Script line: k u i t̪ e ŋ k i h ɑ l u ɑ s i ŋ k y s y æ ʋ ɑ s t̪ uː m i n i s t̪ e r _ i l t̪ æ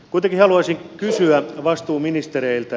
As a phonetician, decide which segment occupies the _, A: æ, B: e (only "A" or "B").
B